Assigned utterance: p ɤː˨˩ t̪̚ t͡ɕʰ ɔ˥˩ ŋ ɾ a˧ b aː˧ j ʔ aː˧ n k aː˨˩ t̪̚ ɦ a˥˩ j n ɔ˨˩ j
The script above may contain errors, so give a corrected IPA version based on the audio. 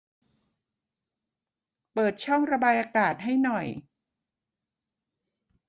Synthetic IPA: p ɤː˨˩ t̪̚ t͡ɕʰ ɔ˥˩ ŋ ɾ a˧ b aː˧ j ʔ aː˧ k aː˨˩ t̪̚ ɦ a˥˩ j n ɔ˨˩ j